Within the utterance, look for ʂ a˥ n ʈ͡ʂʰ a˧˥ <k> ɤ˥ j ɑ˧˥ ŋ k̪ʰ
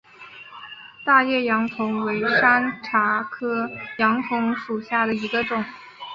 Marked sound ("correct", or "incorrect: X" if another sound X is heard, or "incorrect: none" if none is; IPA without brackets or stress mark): incorrect: kʰ